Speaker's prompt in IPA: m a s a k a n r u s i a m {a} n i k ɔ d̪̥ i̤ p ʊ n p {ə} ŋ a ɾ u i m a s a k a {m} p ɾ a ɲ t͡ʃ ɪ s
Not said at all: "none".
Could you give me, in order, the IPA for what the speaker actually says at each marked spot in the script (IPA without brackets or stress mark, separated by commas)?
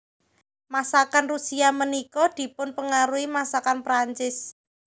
ə, ə, n